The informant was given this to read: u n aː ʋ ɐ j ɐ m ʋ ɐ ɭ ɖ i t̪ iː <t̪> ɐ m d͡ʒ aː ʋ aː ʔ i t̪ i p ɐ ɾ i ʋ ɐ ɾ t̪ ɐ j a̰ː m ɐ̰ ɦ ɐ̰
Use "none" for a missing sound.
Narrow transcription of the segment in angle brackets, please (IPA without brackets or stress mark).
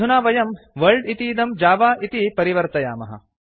d̪